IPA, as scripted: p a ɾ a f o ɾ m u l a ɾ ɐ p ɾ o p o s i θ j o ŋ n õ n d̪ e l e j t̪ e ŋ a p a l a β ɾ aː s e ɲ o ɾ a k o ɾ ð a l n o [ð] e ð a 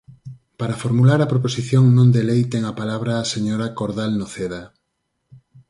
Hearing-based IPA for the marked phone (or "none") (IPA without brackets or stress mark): θ